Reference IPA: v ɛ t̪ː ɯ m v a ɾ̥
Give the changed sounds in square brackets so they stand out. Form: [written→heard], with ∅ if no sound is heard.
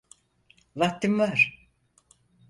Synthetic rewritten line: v [ɛ→a] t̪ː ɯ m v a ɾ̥